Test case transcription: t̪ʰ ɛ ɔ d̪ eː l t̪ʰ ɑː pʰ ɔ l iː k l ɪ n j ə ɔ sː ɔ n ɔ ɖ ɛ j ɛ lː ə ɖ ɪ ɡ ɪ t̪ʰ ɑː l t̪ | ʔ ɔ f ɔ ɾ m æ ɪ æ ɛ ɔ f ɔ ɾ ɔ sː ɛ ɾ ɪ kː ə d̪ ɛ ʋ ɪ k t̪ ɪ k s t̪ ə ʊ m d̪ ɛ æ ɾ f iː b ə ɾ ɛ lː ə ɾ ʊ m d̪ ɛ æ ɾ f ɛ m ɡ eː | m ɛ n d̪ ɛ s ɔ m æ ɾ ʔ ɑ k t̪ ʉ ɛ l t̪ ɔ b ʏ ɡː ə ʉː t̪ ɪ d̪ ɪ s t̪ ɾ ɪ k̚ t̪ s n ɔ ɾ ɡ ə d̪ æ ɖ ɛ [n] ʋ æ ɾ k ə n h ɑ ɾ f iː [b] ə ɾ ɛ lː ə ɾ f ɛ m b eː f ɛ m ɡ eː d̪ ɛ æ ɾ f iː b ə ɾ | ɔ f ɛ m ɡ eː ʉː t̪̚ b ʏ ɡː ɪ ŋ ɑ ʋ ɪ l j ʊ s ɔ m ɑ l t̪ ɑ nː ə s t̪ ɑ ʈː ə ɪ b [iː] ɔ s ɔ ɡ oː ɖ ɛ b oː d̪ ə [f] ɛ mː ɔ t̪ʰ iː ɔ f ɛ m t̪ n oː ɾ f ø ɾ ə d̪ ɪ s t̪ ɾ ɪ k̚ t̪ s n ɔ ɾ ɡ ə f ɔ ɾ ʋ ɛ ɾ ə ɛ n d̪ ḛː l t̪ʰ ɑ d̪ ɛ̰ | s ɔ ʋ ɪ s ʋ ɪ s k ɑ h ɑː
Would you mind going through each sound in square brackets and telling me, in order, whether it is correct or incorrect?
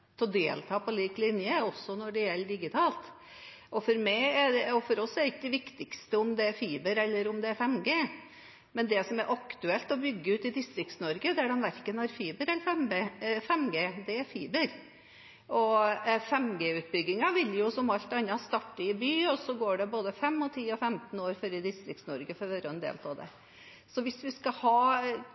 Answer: correct, correct, incorrect: yː, correct

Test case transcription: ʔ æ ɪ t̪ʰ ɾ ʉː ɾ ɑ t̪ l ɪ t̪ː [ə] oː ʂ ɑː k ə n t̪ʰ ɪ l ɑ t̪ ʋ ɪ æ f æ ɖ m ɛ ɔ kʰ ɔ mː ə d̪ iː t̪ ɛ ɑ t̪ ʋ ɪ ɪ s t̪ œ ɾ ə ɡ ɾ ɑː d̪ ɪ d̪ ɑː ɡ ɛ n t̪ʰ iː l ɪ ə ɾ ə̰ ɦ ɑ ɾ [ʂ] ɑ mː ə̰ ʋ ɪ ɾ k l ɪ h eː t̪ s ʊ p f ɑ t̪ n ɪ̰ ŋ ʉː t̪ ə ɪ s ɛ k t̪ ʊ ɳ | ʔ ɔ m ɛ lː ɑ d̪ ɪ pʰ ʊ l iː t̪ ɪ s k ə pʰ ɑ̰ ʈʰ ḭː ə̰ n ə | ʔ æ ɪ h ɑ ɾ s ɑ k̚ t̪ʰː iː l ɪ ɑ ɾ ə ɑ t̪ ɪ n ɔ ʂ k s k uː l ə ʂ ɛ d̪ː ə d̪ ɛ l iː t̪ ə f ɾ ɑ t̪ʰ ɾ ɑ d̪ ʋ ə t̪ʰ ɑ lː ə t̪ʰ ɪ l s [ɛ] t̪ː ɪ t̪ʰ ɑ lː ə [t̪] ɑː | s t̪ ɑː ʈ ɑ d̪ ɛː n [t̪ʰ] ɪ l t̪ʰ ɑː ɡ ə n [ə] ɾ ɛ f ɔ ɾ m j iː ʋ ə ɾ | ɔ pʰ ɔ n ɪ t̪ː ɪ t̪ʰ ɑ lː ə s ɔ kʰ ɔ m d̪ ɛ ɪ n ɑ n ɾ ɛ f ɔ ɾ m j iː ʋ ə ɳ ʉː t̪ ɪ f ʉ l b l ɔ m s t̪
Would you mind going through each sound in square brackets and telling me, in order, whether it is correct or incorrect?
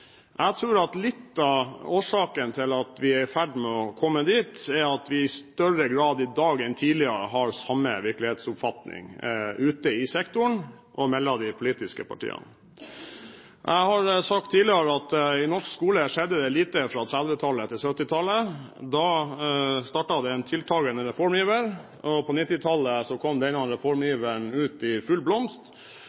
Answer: incorrect: ɑ, incorrect: s, incorrect: œ, incorrect: d̪, correct, correct

